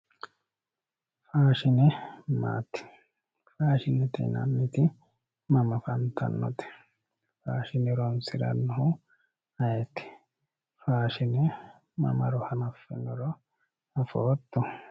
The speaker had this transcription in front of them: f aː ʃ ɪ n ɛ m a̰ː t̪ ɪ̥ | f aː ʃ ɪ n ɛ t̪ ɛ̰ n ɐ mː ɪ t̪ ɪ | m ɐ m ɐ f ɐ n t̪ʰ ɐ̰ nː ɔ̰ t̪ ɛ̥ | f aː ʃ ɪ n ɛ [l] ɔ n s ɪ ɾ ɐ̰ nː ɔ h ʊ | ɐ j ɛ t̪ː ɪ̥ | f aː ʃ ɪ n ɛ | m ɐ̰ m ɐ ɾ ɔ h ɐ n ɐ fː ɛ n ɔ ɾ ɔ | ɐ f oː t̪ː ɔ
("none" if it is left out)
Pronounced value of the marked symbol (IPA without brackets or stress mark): ɾ